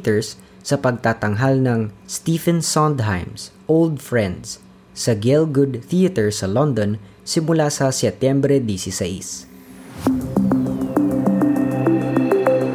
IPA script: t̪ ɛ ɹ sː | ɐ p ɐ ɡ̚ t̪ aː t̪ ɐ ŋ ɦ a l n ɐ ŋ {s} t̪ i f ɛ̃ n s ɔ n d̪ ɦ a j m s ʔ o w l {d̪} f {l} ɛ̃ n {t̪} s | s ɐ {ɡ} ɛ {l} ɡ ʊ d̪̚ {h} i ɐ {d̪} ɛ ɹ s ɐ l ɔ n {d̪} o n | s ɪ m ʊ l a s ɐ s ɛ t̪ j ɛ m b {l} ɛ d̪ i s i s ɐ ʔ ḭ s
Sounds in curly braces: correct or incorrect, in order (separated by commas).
correct, correct, incorrect, incorrect, correct, correct, incorrect, incorrect, correct, incorrect